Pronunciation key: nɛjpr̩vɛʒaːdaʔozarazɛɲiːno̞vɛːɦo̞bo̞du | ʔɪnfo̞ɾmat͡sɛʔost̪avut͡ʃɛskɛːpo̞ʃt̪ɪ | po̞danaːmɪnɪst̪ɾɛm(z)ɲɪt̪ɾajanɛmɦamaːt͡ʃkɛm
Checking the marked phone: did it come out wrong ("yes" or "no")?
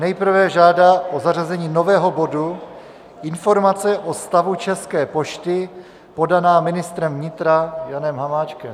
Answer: yes